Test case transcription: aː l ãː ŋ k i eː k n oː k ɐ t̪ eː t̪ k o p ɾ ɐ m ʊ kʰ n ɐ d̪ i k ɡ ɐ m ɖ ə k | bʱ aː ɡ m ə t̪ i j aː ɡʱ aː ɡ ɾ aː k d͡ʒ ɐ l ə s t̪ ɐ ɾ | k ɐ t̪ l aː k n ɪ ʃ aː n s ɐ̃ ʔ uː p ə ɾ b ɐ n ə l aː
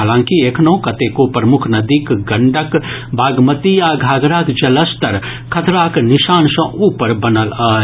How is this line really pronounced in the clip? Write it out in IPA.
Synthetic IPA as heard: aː l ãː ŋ k i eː k n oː k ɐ t̪ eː k o p ɾ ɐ m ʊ kʰ n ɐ d̪ i k ɡ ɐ ɳ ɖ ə k | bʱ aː ɡ m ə t̪ i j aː ɡʱ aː ɡ ɾ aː k d͡ʒ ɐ l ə s t̪ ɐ ɾ | kʰ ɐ t̪ ɾ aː k n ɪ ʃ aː n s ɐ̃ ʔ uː p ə ɾ b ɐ n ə l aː